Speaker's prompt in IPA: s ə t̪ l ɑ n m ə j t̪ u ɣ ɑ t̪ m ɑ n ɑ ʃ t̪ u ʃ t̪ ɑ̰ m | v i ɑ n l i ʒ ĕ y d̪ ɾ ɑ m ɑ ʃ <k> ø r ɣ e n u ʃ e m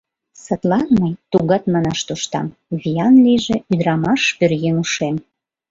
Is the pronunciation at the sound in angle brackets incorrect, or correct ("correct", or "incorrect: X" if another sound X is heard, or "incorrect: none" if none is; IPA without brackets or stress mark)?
incorrect: p